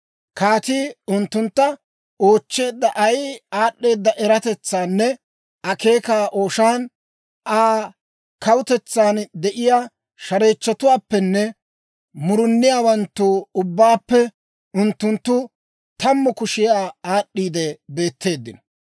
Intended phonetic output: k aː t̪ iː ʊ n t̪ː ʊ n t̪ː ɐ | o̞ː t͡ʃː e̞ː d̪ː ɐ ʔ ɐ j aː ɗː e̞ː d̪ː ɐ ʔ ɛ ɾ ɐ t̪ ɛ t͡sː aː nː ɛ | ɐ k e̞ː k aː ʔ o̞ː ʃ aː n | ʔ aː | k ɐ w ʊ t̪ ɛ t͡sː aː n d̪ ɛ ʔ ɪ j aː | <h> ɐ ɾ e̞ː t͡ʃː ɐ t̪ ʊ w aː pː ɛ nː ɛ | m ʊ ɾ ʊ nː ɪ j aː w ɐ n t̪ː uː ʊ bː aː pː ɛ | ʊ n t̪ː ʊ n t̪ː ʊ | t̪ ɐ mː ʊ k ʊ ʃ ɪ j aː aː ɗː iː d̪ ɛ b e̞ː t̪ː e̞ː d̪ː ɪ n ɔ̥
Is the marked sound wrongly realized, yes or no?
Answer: yes